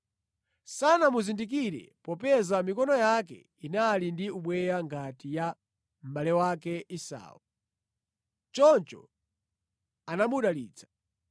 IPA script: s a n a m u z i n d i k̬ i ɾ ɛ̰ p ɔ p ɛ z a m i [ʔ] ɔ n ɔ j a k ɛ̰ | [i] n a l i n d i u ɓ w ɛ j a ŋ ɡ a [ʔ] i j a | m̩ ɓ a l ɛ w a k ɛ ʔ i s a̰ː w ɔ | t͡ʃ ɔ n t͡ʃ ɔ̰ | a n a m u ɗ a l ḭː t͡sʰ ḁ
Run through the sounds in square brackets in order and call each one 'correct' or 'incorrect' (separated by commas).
incorrect, correct, incorrect